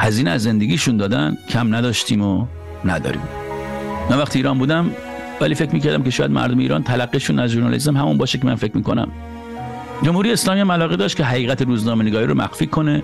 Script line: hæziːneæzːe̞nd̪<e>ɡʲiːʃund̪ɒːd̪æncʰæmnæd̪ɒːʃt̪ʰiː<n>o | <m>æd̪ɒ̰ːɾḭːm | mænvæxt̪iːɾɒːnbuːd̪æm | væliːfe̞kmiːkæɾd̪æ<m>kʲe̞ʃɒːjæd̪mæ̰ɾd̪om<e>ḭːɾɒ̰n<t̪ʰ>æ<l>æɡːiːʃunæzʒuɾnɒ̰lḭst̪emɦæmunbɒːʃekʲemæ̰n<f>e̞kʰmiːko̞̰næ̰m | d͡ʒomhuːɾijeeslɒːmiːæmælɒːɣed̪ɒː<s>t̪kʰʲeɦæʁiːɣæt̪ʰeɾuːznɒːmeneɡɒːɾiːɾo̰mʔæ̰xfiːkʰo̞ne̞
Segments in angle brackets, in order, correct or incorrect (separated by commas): correct, incorrect, incorrect, correct, correct, correct, correct, correct, incorrect